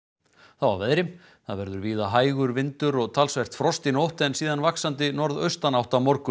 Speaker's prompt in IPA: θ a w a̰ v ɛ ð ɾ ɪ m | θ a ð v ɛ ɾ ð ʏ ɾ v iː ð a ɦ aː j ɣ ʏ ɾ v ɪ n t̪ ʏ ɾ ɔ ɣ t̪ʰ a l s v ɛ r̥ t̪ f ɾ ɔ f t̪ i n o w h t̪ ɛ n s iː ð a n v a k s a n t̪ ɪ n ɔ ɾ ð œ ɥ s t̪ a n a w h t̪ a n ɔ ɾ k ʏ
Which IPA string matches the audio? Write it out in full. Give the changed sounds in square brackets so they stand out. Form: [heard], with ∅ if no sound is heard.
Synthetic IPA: θ a w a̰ v ɛ ð ɾ ɪ m | θ a ð v ɛ ɾ ð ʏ ɾ v iː ð a ɦ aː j ɣ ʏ ɾ v ɪ n t̪ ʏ ɾ ɔ ɣ t̪ʰ a l s v ɛ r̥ t̪ f ɾ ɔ [s] t̪ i n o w h t̪ ɛ n s iː ð a n v a k s a n t̪ ɪ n ɔ ɾ ð œ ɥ s t̪ a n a w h t̪ a [m] ɔ ɾ k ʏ